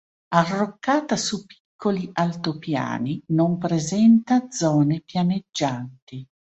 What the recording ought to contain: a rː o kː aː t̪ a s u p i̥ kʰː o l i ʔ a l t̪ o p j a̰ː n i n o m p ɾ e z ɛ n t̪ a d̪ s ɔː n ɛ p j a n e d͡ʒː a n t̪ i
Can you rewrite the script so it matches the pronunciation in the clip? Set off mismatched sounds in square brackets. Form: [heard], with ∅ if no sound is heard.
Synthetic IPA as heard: a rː o kː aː t̪ a s u p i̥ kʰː o l i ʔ a l t̪ o p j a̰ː n i n o m p ɾ e z ɛ n t̪ a d̪ [z] ɔː n [e] p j a n e d͡ʒː a n t̪ i